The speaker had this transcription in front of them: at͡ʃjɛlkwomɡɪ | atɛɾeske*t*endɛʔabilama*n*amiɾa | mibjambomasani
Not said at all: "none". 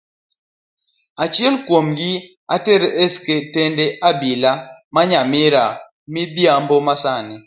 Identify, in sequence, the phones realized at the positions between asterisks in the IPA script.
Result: t, ɲ

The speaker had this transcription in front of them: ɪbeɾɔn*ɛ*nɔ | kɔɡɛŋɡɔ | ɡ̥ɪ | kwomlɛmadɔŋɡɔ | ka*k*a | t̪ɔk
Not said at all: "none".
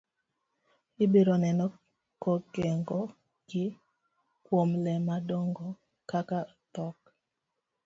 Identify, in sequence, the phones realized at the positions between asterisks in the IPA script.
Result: ɛ, k

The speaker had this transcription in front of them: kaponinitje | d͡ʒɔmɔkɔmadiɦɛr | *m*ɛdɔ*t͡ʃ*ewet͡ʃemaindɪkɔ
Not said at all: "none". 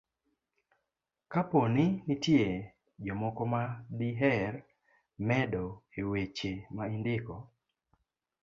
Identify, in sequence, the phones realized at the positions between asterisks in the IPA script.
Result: m, none

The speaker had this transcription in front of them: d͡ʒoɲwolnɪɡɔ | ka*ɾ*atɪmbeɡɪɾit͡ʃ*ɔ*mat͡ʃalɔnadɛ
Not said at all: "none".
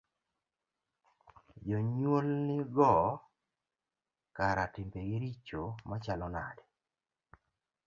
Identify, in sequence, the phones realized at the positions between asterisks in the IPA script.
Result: ɾ, o

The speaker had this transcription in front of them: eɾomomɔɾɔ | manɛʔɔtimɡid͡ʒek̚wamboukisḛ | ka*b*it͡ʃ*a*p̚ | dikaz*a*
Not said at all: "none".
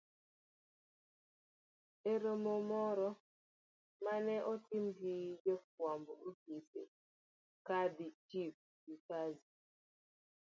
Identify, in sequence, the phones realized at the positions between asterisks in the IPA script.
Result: d, i, i

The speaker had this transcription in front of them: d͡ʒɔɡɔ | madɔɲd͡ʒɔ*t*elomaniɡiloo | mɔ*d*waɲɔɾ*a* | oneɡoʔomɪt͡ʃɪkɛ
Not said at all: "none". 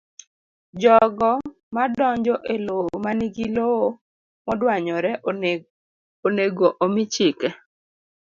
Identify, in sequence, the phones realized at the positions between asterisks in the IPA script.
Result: ʔ, d, ɛ

